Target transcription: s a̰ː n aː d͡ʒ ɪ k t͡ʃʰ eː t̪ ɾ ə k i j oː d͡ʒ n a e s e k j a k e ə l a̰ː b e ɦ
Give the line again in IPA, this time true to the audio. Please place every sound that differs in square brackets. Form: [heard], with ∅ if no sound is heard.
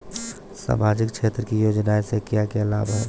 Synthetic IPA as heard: s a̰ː [m] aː d͡ʒ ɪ k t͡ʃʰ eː t̪ ɾ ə k i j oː d͡ʒ n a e s e k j a k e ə l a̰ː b [a] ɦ